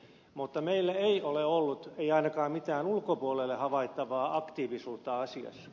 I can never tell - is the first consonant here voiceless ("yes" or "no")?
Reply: no